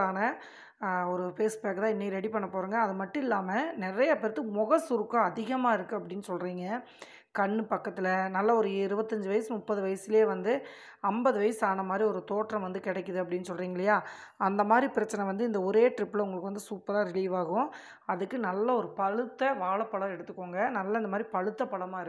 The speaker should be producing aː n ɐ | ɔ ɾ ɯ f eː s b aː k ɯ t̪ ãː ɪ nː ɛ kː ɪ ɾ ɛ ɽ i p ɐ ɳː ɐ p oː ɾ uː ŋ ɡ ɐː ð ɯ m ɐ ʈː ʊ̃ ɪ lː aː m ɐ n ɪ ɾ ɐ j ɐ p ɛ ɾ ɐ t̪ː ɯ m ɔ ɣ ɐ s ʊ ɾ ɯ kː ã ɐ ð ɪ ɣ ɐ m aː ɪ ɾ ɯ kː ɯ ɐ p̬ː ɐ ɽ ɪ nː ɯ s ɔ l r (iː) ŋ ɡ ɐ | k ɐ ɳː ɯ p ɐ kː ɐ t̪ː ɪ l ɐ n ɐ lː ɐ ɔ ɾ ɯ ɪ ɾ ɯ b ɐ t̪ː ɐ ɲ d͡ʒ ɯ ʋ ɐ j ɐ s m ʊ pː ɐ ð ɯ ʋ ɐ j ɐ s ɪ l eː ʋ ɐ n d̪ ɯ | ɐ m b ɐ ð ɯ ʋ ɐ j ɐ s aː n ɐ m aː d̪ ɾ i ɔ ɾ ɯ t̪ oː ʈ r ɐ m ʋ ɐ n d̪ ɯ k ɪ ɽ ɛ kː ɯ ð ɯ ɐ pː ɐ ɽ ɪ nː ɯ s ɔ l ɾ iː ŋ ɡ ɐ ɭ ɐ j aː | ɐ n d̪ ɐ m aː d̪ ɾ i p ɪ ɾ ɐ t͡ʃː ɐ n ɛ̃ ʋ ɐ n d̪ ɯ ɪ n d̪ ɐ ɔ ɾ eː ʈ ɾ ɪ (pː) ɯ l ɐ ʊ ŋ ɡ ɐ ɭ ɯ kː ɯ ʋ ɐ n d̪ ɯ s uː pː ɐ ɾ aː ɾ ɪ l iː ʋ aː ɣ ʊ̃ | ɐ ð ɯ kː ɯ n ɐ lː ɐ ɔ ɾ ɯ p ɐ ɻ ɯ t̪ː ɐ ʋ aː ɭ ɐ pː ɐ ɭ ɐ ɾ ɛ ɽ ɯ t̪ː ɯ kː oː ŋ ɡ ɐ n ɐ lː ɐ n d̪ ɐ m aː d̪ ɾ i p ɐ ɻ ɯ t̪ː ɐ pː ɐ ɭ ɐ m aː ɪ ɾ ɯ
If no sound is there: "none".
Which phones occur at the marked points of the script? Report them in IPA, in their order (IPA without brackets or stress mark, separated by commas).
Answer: iː, pː